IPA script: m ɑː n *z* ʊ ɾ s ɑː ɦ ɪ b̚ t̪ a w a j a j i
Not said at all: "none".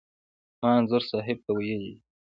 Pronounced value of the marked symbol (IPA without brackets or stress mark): z